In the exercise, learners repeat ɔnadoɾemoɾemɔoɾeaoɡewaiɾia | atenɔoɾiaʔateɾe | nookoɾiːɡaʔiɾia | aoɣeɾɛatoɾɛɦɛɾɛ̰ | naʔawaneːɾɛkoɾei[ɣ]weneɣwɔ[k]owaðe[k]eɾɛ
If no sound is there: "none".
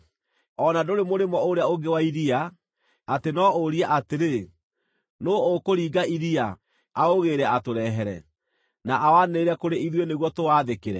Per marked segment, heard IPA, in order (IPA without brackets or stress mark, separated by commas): ð, t, k